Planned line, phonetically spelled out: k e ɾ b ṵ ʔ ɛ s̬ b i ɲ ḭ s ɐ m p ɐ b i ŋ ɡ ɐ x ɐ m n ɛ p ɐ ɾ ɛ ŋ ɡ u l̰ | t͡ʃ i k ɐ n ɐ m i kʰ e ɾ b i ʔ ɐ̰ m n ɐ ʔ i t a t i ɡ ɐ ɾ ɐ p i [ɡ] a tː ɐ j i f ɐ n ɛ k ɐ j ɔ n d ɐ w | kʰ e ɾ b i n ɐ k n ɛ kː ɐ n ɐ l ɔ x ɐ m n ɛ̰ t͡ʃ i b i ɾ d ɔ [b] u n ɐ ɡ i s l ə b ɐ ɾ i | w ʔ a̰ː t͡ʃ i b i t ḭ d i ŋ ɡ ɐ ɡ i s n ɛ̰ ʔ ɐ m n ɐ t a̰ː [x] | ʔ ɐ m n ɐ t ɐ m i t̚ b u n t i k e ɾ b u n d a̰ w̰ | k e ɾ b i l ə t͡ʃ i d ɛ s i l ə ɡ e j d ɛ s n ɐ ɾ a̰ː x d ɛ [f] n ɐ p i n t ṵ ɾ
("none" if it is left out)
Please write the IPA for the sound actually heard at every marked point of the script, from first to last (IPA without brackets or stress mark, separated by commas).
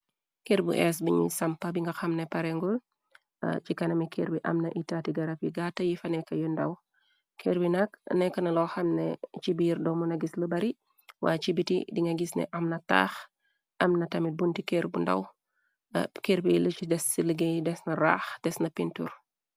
ɡ, m, x, s